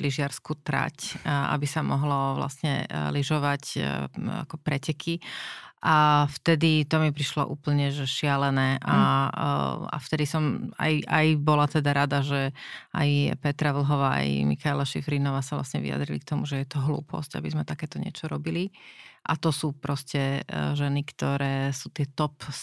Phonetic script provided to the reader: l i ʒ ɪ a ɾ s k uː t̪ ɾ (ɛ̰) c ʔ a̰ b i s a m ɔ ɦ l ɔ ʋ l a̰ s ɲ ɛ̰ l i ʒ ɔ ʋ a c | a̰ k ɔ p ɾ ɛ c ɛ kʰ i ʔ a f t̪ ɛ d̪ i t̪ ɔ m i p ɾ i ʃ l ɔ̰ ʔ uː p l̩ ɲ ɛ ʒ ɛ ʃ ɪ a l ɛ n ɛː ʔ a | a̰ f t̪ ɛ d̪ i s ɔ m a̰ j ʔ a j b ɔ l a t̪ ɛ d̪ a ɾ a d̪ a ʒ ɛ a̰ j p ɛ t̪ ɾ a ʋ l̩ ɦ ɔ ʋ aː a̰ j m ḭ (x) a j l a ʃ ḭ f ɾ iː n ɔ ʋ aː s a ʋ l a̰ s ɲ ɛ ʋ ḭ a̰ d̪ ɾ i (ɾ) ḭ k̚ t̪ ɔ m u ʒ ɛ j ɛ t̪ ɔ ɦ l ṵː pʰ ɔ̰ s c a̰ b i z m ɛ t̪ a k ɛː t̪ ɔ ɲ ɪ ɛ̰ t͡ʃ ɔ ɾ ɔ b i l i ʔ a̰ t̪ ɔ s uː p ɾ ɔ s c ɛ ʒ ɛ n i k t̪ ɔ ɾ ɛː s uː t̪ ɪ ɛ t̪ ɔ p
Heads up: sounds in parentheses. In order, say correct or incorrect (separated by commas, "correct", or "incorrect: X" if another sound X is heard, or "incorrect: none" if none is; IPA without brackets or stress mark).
incorrect: a̰, correct, incorrect: l